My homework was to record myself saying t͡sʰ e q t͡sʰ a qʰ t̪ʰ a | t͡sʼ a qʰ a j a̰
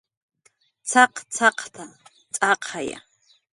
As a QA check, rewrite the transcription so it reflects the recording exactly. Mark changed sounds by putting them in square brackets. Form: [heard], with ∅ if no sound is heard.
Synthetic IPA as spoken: t͡sʰ [a] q t͡sʰ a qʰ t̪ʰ a | t͡sʼ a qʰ a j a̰